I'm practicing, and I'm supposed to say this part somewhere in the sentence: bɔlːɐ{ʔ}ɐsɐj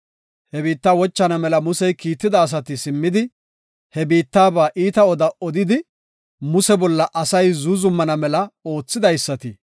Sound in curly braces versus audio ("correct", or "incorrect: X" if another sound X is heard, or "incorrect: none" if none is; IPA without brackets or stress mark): correct